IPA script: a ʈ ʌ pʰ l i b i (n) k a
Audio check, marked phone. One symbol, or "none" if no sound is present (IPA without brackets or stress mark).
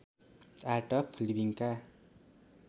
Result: ŋ